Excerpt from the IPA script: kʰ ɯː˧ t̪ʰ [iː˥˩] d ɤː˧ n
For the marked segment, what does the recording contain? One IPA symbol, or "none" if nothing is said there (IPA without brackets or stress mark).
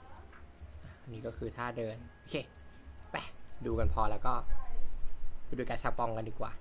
aː˥˩